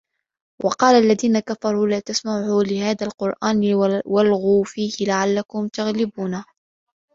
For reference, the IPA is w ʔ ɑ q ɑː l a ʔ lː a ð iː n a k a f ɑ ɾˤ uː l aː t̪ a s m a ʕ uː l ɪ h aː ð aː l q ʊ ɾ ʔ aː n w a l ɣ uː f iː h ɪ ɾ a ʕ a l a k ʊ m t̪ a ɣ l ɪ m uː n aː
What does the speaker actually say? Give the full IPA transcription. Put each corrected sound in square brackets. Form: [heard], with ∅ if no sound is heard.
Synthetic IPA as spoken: w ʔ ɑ q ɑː l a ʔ lː a ð iː n a k a f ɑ ɾˤ uː l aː t̪ a s m a ʕ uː l ɪ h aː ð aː l q ʊ ɾ ʔ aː n w a l ɣ uː f iː h ɪ [l] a ʕ a [lː] a k ʊ m t̪ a ɣ l ɪ [b] uː n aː